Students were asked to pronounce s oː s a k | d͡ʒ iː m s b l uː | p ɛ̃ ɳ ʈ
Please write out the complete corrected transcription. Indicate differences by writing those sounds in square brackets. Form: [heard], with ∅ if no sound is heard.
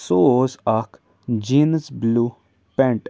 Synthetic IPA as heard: s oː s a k | d͡ʒ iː [n] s b l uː | p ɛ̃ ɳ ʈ